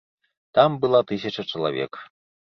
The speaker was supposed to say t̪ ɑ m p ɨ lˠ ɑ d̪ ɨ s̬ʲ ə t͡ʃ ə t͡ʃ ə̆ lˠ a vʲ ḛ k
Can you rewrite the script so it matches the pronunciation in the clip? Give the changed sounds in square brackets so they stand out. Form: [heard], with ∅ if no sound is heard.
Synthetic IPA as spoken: t̪ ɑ m [b] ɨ lˠ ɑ [t̪] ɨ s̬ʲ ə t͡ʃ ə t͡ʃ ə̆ lˠ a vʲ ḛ k